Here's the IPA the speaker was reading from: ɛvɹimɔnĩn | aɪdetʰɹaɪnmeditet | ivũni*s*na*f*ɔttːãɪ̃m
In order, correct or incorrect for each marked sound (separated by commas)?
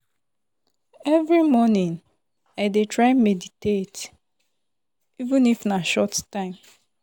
incorrect, incorrect